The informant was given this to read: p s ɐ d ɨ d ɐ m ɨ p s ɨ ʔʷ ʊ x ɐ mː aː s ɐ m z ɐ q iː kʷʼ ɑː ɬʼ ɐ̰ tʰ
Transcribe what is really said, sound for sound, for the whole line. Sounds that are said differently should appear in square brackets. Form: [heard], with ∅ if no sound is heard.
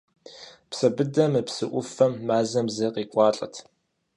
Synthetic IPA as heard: p s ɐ [b] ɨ d ɐ m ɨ p s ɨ ʔʷ ʊ [f] ɐ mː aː [z] ɐ m z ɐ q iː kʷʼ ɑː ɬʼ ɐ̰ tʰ